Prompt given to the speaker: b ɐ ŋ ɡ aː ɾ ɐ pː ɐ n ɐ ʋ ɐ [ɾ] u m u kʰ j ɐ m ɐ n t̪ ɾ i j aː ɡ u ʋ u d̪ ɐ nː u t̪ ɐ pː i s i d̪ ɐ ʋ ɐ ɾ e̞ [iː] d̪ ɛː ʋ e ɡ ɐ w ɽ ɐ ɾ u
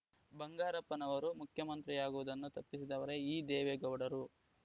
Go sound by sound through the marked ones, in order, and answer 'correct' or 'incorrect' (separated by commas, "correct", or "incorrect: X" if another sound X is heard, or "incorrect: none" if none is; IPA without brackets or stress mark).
correct, correct